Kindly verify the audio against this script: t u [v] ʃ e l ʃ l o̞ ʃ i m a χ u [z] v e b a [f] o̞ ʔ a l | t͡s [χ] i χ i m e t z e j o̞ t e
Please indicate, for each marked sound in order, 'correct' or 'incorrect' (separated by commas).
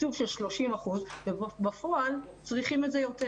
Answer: correct, correct, correct, incorrect